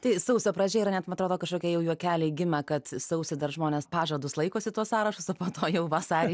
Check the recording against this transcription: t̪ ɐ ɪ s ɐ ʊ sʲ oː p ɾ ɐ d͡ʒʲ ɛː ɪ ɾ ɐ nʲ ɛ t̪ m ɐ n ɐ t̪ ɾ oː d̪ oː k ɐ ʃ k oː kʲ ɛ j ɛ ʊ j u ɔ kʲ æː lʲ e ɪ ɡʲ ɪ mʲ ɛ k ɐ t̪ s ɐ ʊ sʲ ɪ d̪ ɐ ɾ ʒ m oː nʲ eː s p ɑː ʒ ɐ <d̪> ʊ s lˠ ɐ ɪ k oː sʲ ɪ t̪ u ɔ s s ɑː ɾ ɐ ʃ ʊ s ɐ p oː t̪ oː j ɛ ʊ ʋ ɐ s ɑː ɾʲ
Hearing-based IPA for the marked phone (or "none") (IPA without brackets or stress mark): d̪